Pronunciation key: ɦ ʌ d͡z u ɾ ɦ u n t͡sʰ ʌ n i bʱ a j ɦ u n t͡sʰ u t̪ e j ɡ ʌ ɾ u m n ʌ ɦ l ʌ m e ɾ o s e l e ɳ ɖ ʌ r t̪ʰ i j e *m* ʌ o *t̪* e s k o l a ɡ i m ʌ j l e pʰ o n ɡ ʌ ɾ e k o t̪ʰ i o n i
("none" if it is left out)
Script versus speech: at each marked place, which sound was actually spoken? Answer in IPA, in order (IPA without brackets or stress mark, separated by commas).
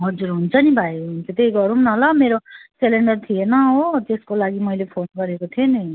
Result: n, t̪